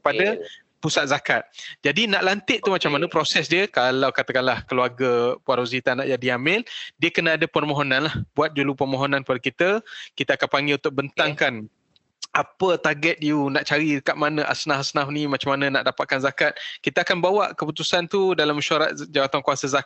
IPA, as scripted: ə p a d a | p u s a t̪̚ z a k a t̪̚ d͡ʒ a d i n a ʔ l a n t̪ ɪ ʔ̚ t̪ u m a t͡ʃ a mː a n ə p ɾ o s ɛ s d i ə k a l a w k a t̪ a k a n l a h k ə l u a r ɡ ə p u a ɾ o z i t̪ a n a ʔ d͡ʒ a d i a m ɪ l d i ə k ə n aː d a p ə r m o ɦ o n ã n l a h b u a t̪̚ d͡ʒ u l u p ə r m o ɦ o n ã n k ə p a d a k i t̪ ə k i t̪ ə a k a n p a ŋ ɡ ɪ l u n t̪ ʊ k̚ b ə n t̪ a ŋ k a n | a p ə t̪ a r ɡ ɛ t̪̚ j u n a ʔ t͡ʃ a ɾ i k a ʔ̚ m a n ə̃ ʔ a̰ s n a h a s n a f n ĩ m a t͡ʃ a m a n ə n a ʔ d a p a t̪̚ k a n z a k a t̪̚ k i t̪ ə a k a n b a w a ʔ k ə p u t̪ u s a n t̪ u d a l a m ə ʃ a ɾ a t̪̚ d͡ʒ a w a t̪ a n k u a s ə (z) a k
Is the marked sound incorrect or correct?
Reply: correct